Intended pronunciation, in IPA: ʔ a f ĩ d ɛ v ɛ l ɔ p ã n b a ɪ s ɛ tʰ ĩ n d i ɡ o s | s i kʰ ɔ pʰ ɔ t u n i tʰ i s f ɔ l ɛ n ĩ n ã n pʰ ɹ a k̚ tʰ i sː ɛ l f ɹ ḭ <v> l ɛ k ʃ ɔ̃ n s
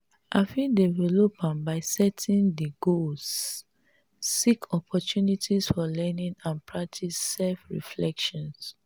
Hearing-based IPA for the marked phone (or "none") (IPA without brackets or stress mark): f